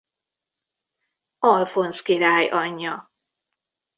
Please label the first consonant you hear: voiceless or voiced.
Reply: voiced